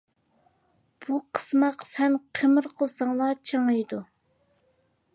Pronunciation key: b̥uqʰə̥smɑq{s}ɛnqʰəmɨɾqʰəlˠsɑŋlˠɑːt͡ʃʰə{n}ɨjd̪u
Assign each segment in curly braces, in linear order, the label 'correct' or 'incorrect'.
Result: correct, incorrect: ŋ

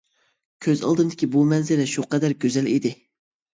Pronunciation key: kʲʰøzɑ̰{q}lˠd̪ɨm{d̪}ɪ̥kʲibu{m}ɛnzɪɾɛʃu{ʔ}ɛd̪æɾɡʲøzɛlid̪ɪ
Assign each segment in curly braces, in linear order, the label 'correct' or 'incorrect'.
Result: incorrect: none, correct, correct, incorrect: q

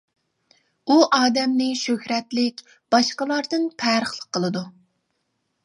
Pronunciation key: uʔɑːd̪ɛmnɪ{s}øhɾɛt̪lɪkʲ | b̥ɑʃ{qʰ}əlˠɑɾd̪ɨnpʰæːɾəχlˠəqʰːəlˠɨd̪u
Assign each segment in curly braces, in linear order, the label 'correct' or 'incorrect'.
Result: incorrect: ʃ, incorrect: q

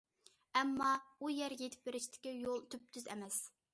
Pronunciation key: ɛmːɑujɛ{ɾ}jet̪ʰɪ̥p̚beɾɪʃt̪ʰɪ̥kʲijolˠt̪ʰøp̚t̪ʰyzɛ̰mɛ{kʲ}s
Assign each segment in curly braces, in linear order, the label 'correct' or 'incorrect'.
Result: correct, incorrect: none

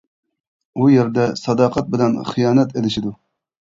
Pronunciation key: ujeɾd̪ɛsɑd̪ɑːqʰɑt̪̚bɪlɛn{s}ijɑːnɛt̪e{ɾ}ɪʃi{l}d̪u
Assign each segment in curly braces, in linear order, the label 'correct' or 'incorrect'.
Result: incorrect: χ, incorrect: l, incorrect: none

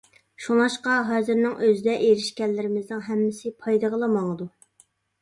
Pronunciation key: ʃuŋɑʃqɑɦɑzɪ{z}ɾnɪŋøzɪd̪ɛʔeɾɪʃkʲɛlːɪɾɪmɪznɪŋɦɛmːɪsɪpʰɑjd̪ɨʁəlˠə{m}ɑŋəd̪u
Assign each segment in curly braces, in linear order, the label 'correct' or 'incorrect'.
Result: incorrect: none, correct

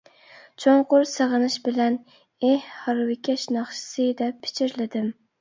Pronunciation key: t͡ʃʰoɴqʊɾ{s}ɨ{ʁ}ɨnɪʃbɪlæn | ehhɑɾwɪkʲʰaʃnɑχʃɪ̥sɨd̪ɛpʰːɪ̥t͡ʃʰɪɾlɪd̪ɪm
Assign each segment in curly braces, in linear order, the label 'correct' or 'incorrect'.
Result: correct, correct

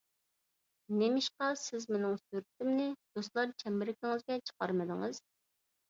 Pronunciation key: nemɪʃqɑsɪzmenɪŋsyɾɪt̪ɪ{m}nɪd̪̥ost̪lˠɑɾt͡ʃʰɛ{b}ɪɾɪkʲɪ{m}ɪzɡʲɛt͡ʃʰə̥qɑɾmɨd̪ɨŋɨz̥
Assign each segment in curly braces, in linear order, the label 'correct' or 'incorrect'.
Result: correct, incorrect: m, incorrect: ŋ

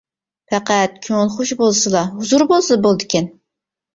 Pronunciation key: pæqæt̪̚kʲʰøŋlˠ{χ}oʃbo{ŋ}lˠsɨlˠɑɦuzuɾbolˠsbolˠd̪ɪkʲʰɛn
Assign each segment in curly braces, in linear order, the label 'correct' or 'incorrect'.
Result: correct, incorrect: none

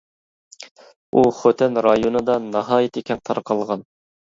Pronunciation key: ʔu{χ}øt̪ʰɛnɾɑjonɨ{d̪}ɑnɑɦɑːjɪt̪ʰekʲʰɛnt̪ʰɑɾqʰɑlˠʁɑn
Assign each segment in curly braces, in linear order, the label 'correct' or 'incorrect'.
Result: correct, correct

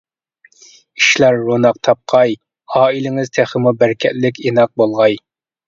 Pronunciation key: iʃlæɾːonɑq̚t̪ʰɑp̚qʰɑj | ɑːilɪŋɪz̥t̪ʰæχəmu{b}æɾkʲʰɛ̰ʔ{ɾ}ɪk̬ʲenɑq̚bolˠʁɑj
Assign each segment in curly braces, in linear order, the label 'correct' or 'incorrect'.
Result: correct, incorrect: l

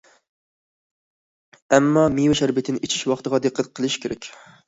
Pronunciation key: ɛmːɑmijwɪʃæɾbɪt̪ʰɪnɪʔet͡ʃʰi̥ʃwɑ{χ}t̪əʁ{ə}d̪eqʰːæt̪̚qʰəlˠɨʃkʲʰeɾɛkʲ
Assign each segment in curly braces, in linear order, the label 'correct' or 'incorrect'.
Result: correct, incorrect: ɑ

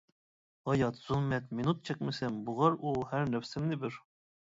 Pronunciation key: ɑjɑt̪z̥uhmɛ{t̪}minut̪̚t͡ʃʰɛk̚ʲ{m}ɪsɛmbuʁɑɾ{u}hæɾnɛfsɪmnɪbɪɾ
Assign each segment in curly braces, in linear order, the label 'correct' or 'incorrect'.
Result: correct, correct, correct

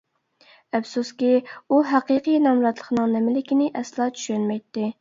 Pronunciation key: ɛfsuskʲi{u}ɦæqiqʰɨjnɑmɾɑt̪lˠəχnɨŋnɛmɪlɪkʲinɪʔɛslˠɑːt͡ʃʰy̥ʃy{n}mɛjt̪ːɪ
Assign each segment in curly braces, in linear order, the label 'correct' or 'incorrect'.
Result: correct, correct

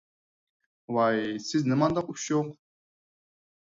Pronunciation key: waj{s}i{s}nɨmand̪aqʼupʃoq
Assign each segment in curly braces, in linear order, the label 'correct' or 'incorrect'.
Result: correct, incorrect: z

